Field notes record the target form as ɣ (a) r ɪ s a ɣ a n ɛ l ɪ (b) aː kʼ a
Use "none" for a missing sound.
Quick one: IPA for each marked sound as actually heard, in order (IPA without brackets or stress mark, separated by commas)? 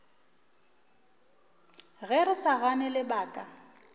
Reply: ɛ, b